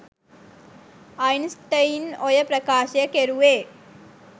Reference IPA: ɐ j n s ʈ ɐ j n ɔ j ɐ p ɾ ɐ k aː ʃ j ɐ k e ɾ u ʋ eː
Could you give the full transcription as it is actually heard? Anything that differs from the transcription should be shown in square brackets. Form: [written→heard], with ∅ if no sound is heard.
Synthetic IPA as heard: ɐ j n s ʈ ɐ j n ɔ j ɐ p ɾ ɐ k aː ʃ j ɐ k e ɾ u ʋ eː